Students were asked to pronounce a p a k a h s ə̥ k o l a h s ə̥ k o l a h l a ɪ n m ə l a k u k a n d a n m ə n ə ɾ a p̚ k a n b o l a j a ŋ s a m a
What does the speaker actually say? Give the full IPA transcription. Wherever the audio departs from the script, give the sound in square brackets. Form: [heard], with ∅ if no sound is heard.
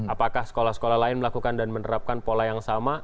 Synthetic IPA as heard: a p a k a h s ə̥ k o l a h s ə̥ k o l a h l a ɪ n m ə l a k u k a n d a n m ə n ə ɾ a p̚ k a n [p] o l a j a ŋ s a m a